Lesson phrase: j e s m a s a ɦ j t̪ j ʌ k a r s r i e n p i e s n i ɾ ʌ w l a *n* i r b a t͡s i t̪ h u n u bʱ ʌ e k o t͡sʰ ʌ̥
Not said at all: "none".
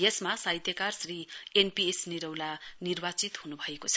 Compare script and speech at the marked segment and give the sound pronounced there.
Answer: n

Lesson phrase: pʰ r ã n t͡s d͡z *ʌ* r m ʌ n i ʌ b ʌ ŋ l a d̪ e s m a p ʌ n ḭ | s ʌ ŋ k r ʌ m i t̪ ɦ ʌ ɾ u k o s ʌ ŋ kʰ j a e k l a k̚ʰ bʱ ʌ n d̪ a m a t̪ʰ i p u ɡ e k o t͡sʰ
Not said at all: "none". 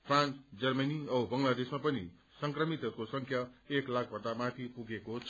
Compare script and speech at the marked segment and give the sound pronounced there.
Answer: ʌ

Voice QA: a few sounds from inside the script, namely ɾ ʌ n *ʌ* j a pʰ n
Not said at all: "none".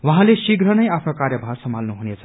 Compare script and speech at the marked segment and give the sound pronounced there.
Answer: ʌ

